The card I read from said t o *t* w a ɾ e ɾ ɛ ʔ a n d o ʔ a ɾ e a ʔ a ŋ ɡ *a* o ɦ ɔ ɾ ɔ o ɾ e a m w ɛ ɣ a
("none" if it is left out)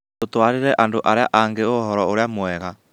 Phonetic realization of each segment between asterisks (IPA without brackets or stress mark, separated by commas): t, e